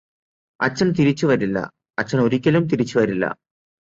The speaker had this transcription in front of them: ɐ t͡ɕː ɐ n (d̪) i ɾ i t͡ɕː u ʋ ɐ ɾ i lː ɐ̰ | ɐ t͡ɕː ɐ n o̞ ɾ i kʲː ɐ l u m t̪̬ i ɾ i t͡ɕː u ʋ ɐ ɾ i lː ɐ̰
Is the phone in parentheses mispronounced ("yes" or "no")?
yes